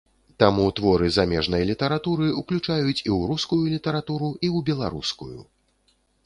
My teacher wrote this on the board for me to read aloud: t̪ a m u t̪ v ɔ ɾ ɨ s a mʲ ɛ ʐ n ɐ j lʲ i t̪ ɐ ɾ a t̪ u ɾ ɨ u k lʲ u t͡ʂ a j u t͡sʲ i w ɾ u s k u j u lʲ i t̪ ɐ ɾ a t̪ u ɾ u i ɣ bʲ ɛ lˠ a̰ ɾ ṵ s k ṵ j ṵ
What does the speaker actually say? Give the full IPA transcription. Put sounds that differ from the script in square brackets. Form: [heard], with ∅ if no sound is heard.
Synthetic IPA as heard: t̪ a m u t̪ v ɔ ɾ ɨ [z] a mʲ ɛ ʐ n ɐ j lʲ i t̪ ɐ ɾ a t̪ u ɾ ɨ u k lʲ u t͡ʂ a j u t͡sʲ i w ɾ u s k u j u lʲ i t̪ ɐ ɾ a t̪ u ɾ u i [w] bʲ ɛ lˠ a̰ ɾ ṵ s k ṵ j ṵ